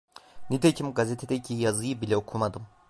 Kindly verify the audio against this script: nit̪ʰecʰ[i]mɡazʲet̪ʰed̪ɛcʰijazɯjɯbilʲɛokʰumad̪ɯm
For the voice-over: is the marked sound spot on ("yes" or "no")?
yes